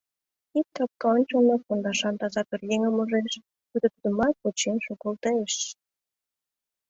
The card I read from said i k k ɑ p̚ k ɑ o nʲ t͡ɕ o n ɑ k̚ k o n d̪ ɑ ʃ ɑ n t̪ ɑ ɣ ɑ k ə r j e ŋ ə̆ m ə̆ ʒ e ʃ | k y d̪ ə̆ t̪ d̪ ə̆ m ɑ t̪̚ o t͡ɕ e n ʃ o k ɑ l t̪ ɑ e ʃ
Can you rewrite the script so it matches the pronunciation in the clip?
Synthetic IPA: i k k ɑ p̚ k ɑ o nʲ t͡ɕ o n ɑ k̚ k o n d̪ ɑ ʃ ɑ n t̪ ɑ z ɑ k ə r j e ŋ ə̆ m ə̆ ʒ e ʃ | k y d̪ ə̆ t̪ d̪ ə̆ m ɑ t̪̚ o t͡ɕ e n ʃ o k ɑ l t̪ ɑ e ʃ